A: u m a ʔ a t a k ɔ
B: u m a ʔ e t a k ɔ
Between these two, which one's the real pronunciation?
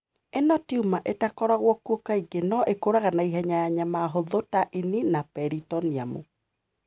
B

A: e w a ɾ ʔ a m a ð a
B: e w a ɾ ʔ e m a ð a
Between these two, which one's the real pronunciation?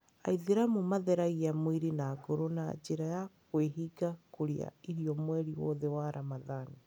A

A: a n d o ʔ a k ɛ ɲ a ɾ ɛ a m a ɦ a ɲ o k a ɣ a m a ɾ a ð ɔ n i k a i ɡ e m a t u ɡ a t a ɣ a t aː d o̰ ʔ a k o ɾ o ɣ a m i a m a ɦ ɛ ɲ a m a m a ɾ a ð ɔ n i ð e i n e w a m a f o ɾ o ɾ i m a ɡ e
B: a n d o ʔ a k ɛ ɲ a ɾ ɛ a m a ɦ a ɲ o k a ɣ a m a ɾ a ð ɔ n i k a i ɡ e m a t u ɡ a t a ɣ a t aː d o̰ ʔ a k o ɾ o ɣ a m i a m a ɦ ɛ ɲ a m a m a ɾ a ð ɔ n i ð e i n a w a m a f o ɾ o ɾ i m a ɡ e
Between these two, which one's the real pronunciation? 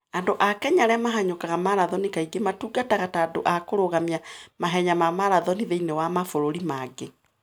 A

